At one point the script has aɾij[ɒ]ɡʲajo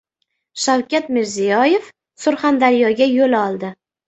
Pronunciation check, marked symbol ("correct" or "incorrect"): correct